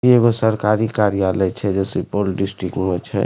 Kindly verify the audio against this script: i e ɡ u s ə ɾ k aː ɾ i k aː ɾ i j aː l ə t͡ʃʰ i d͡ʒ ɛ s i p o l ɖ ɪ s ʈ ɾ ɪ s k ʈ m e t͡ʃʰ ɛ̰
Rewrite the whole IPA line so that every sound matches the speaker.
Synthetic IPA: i e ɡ o s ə ɾ k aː ɾ i k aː ɾ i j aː l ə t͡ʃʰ ɛ d͡ʒ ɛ s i p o l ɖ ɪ s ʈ ɾ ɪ k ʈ m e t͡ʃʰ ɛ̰